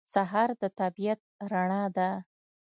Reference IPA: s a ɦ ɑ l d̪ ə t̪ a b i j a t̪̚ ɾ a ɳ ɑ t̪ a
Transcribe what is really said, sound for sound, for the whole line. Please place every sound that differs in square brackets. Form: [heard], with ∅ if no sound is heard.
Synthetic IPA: s a ɦ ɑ [ɾ] d̪ ə t̪ a b i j a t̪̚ ɾ a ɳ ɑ [d̪] a